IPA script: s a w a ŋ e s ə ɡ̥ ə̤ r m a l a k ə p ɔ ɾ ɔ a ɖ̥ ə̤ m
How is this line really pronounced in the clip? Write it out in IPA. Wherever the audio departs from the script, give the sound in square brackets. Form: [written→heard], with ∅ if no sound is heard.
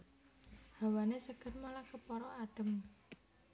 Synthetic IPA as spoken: [s→h] a w a [ŋ→n] e s ə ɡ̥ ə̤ r m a l a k ə p ɔ ɾ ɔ a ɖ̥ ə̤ m

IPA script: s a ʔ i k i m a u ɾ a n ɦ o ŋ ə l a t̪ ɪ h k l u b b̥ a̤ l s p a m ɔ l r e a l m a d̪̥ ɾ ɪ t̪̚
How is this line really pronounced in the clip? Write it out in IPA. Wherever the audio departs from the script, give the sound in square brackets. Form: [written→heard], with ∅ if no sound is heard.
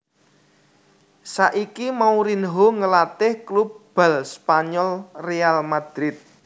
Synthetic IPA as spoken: s a ʔ i k i m a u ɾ [a→i] n ɦ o ŋ ə l a t̪ ɪ h k l u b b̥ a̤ l s p a [m→ɲ] ɔ l r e a l m a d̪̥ ɾ ɪ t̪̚

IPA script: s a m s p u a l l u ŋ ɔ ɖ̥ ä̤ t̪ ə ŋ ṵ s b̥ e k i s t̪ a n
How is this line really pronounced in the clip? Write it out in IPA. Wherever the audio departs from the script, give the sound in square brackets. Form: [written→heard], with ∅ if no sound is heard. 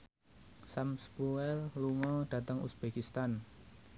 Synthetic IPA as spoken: s a m s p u [a→ɛ] l l u ŋ ɔ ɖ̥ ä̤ t̪ ə ŋ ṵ s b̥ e k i s t̪ a n

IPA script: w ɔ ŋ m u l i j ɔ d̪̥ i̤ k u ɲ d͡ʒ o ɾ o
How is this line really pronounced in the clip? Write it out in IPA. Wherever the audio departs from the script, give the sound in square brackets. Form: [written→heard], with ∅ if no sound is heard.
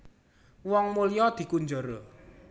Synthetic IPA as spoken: w ɔ ŋ m u l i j ɔ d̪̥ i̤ k u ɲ d͡ʒ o ɾ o

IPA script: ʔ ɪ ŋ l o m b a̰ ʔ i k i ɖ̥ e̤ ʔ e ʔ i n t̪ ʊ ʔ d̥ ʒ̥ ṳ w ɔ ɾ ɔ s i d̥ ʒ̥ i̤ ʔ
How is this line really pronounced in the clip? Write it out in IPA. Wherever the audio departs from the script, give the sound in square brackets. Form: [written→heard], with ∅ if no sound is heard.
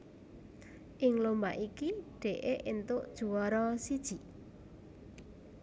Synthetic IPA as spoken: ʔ ɪ ŋ l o m b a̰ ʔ i k i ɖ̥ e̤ ʔ e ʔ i n t̪ ʊ ʔ d̥ ʒ̥ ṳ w ɔ ɾ ɔ s i d̥ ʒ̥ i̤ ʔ

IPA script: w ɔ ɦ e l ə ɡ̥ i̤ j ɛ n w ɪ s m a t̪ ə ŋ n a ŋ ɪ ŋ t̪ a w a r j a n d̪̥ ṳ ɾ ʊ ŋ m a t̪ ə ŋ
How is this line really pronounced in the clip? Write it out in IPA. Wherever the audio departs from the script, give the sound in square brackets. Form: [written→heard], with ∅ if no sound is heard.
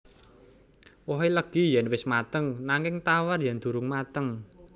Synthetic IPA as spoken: w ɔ ɦ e l ə ɡ̥ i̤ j ɛ n w ɪ s m a t̪ ə ŋ n a ŋ ɪ ŋ t̪ a w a r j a n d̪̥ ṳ ɾ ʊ ŋ m a t̪ ə ŋ

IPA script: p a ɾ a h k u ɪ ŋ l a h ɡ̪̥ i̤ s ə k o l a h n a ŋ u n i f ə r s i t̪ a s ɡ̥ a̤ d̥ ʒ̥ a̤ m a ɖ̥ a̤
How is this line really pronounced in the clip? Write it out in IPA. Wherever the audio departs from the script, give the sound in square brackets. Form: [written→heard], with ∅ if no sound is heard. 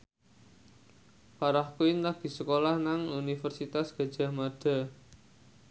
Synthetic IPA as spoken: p a ɾ a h k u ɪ [ŋ→n] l a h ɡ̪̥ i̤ s ə k o l a h n a ŋ u n i f ə r s i t̪ a s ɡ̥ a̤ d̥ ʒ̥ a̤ m a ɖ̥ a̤

